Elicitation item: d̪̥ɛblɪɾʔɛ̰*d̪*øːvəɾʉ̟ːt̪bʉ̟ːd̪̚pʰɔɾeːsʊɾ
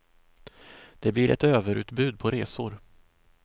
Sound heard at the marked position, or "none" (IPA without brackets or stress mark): t̪